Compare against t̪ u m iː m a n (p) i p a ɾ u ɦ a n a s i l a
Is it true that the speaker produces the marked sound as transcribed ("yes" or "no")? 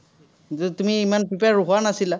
yes